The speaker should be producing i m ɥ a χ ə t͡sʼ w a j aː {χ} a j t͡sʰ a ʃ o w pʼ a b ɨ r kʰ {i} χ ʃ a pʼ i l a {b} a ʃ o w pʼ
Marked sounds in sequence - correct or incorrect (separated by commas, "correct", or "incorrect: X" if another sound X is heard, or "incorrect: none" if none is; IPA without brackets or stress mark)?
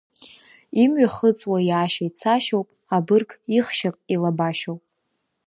incorrect: ʃ, correct, correct